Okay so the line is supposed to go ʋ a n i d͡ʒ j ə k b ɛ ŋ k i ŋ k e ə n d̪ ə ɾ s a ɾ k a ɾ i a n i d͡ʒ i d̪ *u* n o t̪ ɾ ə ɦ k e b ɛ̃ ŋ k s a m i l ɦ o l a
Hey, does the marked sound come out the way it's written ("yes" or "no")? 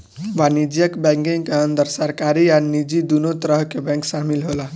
yes